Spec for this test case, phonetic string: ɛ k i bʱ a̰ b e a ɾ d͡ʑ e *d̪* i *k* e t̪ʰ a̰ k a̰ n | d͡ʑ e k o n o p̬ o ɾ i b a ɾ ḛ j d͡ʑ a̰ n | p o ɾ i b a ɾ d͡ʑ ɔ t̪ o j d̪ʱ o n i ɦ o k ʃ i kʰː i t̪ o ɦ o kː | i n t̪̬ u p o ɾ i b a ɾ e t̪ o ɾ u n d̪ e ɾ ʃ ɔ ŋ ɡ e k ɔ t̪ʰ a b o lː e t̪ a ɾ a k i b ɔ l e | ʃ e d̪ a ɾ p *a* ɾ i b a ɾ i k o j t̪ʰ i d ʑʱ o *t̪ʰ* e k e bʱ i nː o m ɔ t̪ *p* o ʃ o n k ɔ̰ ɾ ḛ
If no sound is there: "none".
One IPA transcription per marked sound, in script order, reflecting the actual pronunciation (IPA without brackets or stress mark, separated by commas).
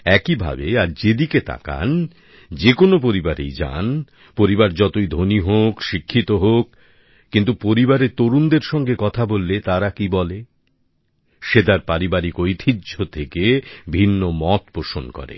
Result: d̪, k, a, t̪ʰ, p